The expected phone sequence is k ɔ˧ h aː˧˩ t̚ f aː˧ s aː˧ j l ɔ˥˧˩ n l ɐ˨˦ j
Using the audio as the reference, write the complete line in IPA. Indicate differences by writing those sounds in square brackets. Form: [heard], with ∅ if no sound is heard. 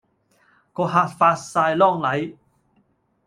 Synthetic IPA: k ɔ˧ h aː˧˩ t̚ f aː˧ s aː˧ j l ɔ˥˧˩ [ŋ] l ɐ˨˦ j